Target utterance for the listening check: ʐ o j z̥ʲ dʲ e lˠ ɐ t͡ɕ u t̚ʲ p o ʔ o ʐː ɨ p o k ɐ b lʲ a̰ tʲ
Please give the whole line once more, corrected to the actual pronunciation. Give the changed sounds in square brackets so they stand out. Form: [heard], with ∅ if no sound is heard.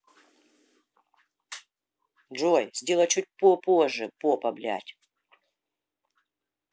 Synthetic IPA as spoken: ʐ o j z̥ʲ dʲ e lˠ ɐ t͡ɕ u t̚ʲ p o [p] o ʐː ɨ p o [p] ɐ b lʲ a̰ tʲ